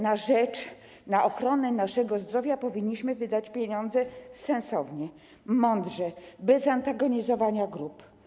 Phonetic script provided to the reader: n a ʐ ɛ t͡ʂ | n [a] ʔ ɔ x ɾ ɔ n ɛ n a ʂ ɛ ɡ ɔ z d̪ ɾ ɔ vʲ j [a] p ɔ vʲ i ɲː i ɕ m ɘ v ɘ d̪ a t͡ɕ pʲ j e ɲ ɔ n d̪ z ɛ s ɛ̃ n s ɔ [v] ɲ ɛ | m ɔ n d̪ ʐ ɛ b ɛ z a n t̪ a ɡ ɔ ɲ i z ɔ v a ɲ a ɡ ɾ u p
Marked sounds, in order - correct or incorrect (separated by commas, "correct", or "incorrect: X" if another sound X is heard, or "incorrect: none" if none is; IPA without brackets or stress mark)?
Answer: correct, correct, correct